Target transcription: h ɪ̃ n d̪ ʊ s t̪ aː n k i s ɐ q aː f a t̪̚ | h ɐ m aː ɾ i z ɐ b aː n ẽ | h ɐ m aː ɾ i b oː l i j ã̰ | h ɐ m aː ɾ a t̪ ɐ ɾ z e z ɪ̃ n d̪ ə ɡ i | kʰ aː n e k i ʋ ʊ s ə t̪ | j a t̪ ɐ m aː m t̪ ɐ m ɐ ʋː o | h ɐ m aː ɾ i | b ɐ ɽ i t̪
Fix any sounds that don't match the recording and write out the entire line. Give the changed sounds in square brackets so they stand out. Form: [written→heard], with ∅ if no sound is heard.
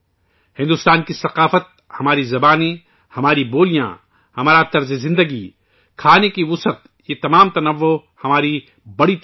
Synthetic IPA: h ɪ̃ n d̪ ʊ s t̪ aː n k i s ɐ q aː f [a→ə] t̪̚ | h ɐ m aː ɾ i z ɐ b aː n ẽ | h ɐ m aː ɾ i b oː l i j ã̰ | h ɐ m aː ɾ a t̪ ɐ ɾ z e z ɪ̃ n d̪ ə ɡ i | kʰ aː n e k i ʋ ʊ s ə t̪ | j [a→e] t̪ ɐ m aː m t̪ ɐ [m→n] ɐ ʋː o | h ɐ m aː ɾ i | b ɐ ɽ i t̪

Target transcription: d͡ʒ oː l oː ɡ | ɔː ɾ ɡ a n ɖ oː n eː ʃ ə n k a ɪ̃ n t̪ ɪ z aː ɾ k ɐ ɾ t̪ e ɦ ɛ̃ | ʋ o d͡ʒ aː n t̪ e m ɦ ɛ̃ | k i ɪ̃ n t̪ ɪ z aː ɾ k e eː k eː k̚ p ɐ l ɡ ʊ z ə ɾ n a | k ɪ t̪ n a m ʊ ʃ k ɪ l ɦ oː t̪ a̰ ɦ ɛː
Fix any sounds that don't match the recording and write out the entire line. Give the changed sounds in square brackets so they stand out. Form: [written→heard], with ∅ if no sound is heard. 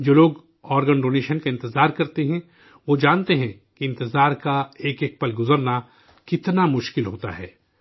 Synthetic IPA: d͡ʒ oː l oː ɡ | ɔː ɾ ɡ [a→ə] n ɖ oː n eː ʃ ə n k a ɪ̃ n t̪ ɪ z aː ɾ k ɐ ɾ t̪ e ɦ ɛ̃ | ʋ o d͡ʒ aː n t̪ e [m→∅] ɦ ɛ̃ | k i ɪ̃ n t̪ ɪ z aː ɾ k [e→a] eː k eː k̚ p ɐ l ɡ ʊ z ə ɾ n a | k ɪ t̪ n a m ʊ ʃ k ɪ l ɦ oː t̪ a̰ ɦ ɛː

